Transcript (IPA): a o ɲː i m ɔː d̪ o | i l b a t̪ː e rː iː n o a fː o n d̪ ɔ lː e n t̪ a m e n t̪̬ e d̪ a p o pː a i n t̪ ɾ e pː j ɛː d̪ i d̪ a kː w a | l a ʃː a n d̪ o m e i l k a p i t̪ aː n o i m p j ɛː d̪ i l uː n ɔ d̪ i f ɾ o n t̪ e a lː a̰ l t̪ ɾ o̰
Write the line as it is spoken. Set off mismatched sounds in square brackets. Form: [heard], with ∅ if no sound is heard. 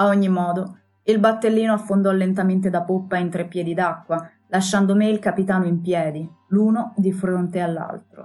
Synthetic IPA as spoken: a o ɲː i m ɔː d̪ o | i l b a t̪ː e [lː] iː n o a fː o n d̪ ɔ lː e n t̪ a m e n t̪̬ e d̪ a p o pː a i n t̪ ɾ e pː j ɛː d̪ i d̪ a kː w a | l a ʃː a n d̪ o m e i l k a p i t̪ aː n o i m p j ɛː d̪ i l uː n [o] d̪ i f ɾ o n t̪ e a lː a̰ l t̪ ɾ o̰